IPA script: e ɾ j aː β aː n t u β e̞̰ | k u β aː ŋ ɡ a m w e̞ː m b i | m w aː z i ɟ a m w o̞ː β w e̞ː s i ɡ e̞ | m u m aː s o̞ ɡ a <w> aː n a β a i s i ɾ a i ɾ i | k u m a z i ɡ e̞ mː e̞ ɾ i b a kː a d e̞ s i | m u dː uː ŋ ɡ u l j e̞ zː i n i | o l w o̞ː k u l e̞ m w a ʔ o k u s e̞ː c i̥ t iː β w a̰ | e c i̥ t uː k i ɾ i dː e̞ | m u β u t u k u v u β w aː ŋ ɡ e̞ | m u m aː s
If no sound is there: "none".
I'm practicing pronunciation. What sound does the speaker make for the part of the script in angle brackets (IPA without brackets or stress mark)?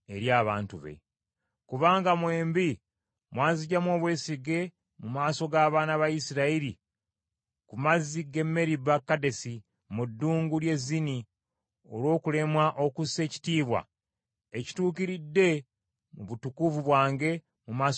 β